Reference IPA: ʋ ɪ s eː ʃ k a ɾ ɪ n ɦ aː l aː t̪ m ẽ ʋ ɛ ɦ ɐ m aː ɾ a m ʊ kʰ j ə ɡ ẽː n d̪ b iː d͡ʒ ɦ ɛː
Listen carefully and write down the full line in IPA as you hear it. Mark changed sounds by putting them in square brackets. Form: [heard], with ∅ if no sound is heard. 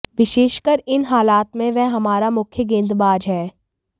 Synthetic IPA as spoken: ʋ ɪ [ʃ] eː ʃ k [ə] ɾ ɪ n ɦ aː l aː t̪ m ẽ ʋ ɛ ɦ ɐ m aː ɾ a m ʊ kʰ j ə ɡ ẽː n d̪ b [aː] d͡ʒ ɦ ɛː